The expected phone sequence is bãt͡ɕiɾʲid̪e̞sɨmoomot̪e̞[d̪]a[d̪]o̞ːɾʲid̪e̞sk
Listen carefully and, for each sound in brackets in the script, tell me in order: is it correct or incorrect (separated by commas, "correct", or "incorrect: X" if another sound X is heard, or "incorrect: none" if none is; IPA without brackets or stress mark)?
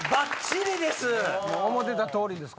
incorrect: t̪, incorrect: t̪